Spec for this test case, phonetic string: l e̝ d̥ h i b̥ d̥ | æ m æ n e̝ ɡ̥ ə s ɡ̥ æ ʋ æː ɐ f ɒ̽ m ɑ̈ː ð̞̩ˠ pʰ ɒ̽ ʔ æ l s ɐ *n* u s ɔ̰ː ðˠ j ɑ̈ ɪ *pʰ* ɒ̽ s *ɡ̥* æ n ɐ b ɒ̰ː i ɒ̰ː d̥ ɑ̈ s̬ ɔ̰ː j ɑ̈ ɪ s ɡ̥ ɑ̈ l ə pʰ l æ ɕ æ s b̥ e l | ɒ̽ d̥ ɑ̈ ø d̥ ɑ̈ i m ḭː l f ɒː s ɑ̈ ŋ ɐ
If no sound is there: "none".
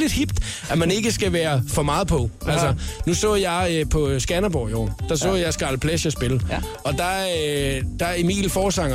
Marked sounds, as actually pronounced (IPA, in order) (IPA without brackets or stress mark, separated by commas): n, pʰ, ɡ̥